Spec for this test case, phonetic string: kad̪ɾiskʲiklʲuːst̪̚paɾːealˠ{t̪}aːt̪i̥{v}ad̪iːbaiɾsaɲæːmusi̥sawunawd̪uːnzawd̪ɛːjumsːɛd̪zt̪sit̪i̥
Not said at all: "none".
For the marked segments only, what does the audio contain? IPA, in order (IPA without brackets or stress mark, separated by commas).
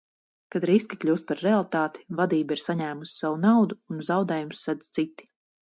t̪, v